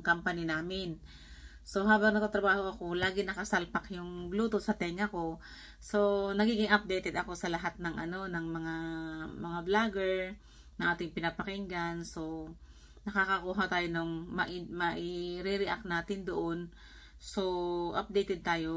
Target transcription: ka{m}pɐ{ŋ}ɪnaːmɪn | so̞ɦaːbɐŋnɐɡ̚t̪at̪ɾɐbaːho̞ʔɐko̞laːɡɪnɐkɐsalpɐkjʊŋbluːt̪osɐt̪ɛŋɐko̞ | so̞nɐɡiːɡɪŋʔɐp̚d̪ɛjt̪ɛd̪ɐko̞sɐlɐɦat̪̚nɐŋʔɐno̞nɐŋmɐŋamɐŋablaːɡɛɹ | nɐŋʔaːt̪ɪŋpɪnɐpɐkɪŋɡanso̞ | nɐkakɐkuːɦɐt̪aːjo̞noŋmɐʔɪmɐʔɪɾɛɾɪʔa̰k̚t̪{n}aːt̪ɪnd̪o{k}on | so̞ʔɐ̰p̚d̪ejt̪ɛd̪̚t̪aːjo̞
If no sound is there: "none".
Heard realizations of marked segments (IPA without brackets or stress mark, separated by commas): m, n, n, ʔ